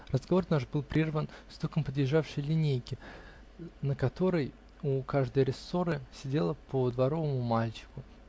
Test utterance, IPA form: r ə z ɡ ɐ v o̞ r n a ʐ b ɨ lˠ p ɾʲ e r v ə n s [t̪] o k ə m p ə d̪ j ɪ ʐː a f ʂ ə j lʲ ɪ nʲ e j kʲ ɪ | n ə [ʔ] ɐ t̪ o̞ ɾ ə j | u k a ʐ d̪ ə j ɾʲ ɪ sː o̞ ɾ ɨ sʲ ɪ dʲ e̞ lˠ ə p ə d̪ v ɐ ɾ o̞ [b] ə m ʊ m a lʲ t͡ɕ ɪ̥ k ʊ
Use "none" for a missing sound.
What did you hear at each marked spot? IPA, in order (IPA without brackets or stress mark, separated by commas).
t̪, k, v